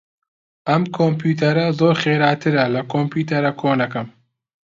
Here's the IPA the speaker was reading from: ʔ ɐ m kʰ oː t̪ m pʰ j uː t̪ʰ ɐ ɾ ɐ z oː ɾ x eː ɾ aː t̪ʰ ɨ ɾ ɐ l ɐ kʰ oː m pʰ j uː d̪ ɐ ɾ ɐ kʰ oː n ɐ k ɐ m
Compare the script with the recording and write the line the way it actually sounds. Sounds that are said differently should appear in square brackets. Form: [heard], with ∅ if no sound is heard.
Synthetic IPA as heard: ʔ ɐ m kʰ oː [∅] m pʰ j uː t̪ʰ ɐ ɾ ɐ z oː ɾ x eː ɾ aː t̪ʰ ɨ ɾ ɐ l ɐ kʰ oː m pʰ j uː [t̪] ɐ ɾ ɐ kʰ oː n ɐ k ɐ m